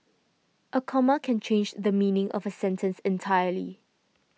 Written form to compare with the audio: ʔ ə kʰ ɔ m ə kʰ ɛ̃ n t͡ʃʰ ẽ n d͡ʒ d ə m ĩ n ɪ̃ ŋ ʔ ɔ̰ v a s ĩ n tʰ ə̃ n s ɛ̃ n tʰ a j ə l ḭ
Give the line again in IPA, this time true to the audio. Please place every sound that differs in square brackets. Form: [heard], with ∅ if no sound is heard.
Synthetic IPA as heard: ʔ ə kʰ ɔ m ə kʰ ɛ̃ n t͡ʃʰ ẽ n d͡ʒ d ə m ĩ n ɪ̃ ŋ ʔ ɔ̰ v [ə] s [ɛ̃] n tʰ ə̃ n s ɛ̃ n tʰ a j ə l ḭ